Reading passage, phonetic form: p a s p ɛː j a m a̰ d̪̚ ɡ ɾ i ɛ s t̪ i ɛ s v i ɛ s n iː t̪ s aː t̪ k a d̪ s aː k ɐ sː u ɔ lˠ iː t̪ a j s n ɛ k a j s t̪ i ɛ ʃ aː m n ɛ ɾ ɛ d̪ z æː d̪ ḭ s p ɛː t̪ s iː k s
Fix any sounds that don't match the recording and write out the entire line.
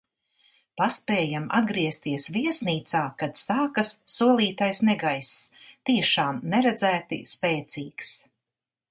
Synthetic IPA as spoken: p a s p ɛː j a m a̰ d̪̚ ɡ ɾ i ɛ s t̪ i ɛ s v i ɛ s n iː t̪ s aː k a d̪ s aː k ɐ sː u ɔ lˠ iː t̪ a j s n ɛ ɡ a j s t̪ i ɛ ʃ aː m n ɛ ɾ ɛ d̪ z æː t̪ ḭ s p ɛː t̪ s iː k s